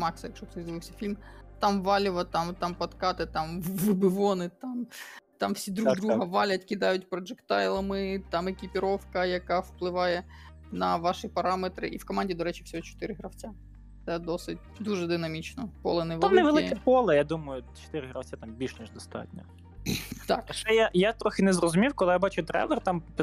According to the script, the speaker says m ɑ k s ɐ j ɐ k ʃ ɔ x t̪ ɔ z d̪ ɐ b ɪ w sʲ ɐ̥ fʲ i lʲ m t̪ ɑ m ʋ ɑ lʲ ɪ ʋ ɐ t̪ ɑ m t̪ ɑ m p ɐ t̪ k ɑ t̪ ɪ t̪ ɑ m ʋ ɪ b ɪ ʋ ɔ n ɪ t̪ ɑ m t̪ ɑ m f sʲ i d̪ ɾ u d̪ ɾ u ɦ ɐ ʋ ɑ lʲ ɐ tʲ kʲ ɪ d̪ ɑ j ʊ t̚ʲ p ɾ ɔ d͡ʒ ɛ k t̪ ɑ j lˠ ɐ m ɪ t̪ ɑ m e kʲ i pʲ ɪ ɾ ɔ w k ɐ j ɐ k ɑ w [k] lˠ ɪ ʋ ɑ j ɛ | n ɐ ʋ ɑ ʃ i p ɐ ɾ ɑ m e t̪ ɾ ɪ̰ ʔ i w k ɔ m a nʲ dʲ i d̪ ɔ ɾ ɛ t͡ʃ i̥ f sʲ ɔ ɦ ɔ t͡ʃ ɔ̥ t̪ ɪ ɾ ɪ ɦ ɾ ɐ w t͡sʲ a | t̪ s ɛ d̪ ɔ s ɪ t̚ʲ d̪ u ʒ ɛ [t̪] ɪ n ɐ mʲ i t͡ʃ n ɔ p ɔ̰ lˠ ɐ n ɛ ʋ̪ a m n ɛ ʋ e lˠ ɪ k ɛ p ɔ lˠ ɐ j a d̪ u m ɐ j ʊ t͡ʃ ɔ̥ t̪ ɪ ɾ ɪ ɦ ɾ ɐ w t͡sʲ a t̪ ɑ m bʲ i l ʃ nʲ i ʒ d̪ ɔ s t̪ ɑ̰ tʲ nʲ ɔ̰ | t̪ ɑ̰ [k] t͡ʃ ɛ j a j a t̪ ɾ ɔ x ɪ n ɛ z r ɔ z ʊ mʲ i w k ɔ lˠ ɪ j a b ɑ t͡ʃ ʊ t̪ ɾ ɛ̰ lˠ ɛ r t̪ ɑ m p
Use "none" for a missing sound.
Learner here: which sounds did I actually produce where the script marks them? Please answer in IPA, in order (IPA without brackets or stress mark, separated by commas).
p, d̪, k